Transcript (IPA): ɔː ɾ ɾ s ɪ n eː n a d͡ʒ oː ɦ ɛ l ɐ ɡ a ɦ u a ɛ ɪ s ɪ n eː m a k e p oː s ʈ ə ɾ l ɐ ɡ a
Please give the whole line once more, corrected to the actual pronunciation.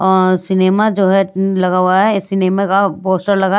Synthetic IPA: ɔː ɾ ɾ s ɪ n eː m a d͡ʒ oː ɦ ɛ l ɐ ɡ a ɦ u a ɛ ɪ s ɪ n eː m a k a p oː s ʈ ə ɾ l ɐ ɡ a